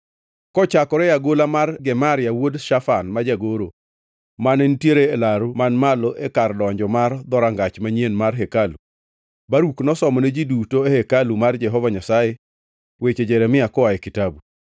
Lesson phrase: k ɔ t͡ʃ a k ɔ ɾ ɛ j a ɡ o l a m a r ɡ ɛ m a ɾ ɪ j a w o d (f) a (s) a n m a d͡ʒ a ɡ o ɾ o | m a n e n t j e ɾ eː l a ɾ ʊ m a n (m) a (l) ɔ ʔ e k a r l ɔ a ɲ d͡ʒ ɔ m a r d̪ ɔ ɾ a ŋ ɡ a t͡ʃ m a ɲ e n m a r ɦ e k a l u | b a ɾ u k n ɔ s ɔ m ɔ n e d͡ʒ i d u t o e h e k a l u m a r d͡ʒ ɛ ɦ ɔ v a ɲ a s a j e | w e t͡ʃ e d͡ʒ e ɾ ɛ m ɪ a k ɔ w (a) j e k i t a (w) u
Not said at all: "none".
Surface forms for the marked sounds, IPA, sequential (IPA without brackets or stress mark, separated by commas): ʃ, f, m, l, a, b